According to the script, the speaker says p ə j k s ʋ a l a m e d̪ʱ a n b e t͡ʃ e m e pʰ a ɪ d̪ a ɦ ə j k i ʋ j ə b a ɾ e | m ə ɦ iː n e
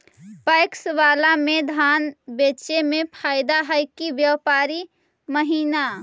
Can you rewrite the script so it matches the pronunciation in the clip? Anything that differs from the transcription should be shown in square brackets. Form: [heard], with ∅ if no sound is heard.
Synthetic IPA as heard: p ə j k s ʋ a l a m e d̪ʱ a n b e t͡ʃ e m e pʰ a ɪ d̪ a ɦ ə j k i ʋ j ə [p] a ɾ [i] | m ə ɦ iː n [a]